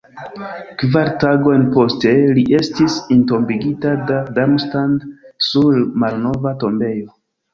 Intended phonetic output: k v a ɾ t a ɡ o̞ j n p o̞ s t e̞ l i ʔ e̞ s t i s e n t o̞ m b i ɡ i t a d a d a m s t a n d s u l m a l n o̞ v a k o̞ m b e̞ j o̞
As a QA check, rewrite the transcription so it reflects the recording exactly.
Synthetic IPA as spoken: k v a ɾ t a ɡ o̞ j n p o̞ s t e̞ l i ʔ e̞ s t i s i n t o̞ m b i ɡ i t a d a d a m s t a n d s u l m a l n o̞ v a t o̞ m b e̞ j o̞